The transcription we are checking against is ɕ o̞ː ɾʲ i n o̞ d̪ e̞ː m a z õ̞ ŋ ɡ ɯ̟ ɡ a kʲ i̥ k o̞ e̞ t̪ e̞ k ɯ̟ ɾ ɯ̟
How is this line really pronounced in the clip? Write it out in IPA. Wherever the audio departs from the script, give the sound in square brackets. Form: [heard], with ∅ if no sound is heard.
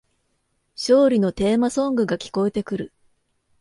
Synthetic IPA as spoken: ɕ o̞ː ɾʲ i n o̞ [t̪] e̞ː m a [s] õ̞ ŋ ɡ ɯ̟ ɡ a kʲ i̥ k o̞ e̞ t̪ e̞ k ɯ̟ ɾ ɯ̟